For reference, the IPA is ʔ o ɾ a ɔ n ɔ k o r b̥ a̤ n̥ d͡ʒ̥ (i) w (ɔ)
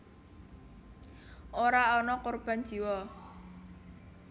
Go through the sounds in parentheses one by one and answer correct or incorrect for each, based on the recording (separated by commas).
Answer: correct, correct